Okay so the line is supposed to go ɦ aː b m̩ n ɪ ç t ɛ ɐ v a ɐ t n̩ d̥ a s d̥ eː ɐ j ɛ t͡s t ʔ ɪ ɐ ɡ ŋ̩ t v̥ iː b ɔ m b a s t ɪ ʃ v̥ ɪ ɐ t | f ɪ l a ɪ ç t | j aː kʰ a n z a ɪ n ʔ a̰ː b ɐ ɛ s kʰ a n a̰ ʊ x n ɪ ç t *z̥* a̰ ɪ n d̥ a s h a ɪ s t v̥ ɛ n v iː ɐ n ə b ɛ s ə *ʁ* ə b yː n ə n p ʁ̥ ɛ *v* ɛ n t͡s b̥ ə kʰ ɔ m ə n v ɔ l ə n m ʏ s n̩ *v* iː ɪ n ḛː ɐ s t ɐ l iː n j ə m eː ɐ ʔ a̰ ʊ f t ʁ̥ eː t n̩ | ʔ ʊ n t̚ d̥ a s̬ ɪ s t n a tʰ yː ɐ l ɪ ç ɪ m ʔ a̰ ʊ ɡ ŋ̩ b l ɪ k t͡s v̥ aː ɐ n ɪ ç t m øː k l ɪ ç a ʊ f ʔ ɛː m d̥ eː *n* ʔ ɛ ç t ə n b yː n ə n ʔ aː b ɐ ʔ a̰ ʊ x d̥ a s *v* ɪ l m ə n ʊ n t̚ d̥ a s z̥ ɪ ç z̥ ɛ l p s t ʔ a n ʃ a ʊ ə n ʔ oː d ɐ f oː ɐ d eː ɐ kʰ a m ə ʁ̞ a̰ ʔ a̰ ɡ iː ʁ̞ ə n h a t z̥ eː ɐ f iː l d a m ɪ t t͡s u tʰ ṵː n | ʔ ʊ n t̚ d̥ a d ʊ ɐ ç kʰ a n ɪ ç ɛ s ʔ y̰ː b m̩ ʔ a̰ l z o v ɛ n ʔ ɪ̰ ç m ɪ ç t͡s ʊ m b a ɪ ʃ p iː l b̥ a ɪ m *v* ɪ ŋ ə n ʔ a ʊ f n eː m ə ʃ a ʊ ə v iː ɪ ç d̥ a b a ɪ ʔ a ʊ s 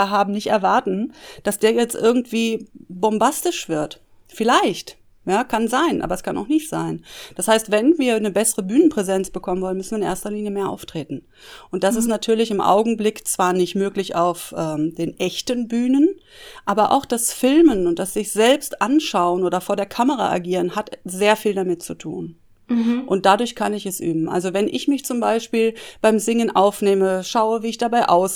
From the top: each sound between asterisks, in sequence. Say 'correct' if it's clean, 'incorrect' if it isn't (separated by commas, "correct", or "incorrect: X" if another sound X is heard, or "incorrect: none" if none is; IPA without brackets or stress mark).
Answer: correct, correct, incorrect: z, correct, correct, incorrect: f, incorrect: z